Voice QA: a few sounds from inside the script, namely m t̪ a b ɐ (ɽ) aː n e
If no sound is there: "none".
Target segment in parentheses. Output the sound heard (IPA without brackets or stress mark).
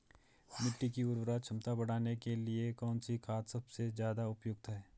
ɽ